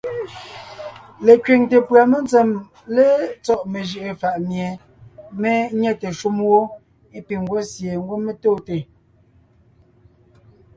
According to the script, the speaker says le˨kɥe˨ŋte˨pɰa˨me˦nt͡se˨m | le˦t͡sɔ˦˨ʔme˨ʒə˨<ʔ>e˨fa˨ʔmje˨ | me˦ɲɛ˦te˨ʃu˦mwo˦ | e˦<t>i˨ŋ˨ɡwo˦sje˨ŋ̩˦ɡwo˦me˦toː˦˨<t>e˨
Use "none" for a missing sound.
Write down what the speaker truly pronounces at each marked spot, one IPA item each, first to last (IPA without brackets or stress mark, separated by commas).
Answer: ʔ, p, t